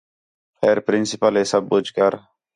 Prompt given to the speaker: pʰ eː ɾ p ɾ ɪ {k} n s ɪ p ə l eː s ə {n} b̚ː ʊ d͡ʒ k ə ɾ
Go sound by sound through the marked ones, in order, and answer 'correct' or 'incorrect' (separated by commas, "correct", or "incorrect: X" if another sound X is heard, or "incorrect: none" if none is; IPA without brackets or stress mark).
incorrect: none, incorrect: none